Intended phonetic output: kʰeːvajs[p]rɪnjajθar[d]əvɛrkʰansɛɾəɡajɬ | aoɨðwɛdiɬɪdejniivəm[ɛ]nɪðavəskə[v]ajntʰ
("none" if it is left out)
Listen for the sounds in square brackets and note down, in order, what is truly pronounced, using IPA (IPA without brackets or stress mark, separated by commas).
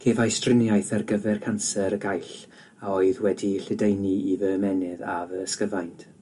t, ɡ, ɛ, v